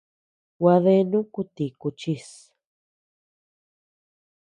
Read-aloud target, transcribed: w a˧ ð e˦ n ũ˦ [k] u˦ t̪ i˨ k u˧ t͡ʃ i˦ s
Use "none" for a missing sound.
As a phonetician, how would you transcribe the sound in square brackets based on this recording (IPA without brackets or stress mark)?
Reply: k